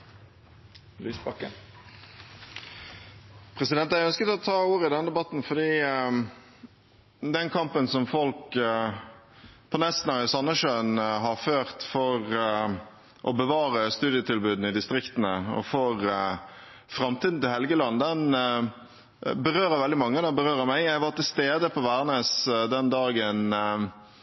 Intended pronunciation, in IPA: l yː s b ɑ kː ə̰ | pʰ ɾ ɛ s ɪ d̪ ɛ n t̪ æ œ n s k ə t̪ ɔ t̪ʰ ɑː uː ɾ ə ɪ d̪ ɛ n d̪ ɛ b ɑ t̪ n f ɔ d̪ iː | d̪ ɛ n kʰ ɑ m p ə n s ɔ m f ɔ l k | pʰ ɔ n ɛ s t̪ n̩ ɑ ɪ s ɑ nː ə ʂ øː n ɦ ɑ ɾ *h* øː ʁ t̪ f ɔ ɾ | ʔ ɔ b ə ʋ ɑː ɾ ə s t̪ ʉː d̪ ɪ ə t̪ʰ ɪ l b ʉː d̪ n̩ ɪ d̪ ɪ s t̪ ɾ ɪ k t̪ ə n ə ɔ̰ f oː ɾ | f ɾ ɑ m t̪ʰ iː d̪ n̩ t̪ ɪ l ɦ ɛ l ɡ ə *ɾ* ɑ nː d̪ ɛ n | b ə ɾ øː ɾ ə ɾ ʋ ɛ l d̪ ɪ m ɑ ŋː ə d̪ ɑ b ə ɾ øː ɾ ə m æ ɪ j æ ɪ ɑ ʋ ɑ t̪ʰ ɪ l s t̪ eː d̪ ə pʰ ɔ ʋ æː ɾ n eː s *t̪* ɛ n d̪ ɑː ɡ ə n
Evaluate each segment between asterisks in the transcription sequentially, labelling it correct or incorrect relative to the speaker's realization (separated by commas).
incorrect, incorrect, incorrect